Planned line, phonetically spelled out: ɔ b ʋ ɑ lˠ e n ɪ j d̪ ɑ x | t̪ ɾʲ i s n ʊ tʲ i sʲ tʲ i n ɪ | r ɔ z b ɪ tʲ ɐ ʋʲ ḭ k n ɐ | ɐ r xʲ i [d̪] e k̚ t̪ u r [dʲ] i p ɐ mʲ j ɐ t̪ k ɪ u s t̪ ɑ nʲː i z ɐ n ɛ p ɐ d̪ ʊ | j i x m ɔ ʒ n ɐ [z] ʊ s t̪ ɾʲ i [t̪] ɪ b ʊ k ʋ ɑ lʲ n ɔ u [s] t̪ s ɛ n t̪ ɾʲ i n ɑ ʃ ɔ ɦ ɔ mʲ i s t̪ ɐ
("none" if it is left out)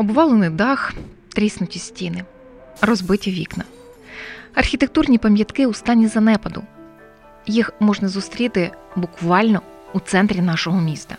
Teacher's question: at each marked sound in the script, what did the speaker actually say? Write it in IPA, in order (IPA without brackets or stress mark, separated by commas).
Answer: t̪, nʲ, z, t̪, none